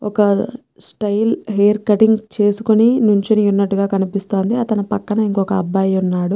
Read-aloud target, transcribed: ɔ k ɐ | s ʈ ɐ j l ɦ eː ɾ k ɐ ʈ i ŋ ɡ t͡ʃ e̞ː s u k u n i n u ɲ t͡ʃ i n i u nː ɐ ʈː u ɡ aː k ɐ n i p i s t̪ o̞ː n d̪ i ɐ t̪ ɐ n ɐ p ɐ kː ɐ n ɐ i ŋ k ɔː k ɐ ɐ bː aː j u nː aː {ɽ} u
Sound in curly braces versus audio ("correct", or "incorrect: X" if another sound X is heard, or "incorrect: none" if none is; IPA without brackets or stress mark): correct